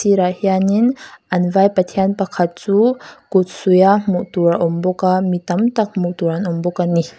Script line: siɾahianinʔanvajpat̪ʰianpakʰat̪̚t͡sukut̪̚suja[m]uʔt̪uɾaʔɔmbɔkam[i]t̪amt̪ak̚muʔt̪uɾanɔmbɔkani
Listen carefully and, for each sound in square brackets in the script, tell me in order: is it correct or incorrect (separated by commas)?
correct, correct